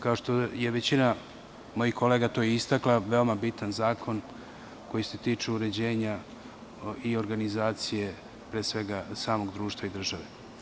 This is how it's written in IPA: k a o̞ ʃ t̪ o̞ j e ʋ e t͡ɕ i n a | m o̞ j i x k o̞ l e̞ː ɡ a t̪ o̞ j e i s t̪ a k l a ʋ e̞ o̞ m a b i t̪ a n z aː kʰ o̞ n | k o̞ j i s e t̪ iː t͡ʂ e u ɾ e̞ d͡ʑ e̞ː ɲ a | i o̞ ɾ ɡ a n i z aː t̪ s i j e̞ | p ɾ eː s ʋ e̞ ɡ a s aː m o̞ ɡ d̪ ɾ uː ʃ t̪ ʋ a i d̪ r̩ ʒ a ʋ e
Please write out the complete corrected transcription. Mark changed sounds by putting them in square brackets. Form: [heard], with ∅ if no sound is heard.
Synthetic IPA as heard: k a o̞ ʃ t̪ o̞ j e ʋ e t͡ɕ i n a | m o̞ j i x k o̞ l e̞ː ɡ a t̪ o̞ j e i s t̪ a k l a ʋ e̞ o̞ m a b i t̪ a n z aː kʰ o̞ n | k o̞ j i s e t̪ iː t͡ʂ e u ɾ e̞ d͡ʑ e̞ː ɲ a | i o̞ ɾ ɡ a n i z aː t̪ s i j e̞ | p ɾ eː s ʋ e̞ ɡ a s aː m o̞ ɡ d̪ ɾ uː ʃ t̪ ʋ a i d̪ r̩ ʒ a ʋ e